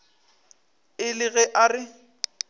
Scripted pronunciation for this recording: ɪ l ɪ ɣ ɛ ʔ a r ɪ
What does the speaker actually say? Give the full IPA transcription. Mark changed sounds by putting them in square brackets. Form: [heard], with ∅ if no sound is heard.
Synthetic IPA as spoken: ɪ l ɪ ɣ ɛ ʔ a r ɪ